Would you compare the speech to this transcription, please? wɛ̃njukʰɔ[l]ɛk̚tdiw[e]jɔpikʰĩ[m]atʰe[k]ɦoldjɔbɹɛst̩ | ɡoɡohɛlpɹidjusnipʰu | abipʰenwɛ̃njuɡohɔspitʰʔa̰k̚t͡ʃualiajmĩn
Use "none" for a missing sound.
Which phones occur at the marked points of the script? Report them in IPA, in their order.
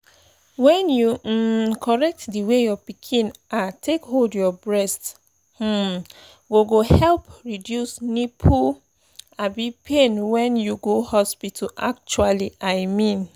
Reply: ɹ, e, n, k

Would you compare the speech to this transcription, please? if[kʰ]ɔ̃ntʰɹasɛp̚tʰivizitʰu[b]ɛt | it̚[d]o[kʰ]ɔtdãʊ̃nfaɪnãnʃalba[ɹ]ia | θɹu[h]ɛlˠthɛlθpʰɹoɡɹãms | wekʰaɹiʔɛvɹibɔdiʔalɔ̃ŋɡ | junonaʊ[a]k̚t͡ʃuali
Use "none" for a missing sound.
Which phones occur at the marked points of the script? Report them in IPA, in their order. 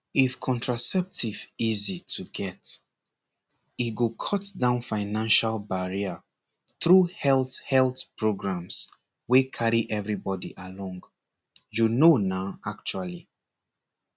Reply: kʰ, ɡ, ɡ, kʰ, ɹ, h, a

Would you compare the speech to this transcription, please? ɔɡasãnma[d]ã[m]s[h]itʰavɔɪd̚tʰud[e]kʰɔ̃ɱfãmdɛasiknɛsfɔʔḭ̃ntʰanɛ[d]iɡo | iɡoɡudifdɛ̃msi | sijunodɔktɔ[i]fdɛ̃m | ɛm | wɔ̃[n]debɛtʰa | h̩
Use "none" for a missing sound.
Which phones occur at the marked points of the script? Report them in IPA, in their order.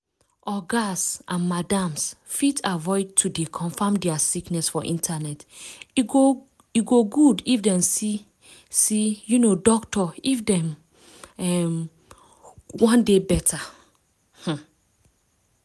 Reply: d, m, f, e, t, i, n

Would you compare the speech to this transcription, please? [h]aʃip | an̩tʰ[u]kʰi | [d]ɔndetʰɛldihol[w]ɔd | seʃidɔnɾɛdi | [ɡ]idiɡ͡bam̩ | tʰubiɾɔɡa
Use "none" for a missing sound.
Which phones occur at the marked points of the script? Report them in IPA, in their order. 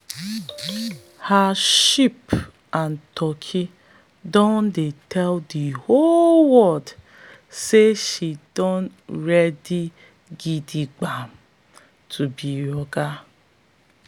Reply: h, ɔ, d, w, ɡ

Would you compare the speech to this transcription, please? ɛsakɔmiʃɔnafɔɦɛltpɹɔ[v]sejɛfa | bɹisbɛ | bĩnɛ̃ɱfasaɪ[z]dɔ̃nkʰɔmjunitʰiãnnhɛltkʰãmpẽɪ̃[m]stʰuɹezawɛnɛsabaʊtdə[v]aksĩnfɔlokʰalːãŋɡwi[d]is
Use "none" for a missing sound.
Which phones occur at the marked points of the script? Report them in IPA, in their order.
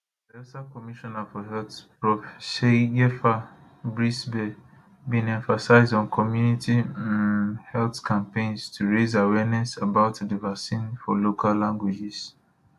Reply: f, z, n, v, d͡ʒ

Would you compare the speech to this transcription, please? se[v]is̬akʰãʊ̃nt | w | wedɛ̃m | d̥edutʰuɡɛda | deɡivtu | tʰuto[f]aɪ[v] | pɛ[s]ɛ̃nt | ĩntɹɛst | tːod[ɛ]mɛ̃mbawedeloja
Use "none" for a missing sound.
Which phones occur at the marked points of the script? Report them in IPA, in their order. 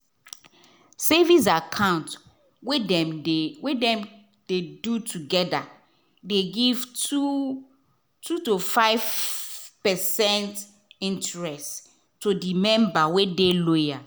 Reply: v, f, v, s, i

